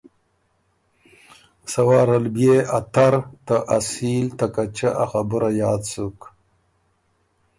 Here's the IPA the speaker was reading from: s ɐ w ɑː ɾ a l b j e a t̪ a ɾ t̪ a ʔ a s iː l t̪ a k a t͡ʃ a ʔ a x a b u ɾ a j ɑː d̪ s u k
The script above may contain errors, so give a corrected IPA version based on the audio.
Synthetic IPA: s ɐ w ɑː ɾ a l b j e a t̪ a ɾ t̪ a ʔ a s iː l t̪ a k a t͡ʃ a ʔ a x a b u ɾ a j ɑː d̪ s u k